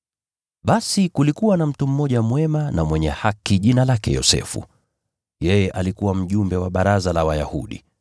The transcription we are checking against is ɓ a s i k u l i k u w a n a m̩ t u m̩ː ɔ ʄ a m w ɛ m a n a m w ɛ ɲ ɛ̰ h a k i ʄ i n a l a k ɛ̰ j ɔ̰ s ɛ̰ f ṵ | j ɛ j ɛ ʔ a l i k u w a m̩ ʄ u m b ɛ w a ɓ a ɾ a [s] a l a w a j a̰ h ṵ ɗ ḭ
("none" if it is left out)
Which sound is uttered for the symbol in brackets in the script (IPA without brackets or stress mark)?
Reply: z